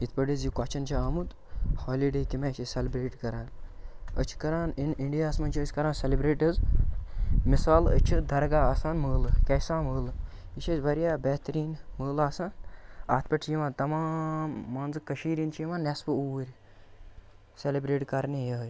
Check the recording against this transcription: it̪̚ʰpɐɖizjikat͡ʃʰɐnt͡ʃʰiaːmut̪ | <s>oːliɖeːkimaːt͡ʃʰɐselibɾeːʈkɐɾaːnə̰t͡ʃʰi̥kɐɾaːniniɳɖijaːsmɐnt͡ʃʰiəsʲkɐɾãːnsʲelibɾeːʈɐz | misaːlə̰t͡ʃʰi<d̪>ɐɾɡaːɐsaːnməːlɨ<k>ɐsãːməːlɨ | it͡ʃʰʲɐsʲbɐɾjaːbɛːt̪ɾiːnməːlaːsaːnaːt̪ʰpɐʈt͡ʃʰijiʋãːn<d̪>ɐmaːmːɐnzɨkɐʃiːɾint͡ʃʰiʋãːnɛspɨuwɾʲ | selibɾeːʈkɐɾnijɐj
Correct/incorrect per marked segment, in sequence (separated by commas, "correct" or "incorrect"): incorrect, correct, correct, incorrect